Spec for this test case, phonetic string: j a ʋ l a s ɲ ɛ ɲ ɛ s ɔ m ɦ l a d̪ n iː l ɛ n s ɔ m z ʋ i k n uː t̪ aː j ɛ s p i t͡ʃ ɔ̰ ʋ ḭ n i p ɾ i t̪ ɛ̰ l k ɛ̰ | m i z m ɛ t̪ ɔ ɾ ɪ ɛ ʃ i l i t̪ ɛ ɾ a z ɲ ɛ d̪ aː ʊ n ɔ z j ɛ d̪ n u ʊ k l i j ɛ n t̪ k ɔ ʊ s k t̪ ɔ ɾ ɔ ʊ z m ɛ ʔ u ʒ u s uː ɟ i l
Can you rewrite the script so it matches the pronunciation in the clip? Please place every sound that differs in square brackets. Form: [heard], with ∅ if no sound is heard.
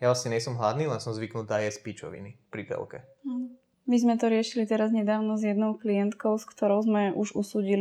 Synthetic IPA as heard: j a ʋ l a s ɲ ɛ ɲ ɛ s ɔ m ɦ l a d̪ n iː l ɛ n s ɔ m z ʋ i k n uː t̪ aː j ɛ s p i t͡ʃ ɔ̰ ʋ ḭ n i p ɾ i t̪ ɛ̰ l k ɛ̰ | m i z m ɛ t̪ ɔ ɾ ɪ ɛ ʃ i l i t̪ ɛ ɾ a z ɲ ɛ d̪ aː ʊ n ɔ z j ɛ d̪ n [ɔ] ʊ k l i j ɛ n t̪ k ɔ ʊ s k t̪ ɔ ɾ ɔ ʊ z m ɛ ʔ u ʒ u s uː ɟ i l